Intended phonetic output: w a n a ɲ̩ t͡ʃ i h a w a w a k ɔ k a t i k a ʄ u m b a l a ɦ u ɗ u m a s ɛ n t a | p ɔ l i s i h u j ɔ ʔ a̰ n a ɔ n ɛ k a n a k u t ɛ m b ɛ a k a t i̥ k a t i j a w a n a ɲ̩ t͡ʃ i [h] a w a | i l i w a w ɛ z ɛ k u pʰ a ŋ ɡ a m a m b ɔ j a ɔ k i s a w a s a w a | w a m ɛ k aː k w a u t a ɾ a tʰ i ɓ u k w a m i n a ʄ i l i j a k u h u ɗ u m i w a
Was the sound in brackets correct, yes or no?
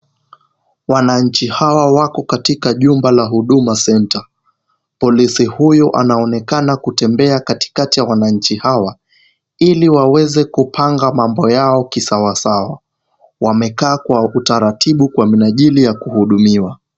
yes